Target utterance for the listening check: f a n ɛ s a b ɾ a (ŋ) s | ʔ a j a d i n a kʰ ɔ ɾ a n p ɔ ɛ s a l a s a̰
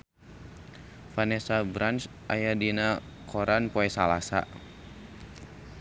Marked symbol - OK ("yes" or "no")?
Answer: no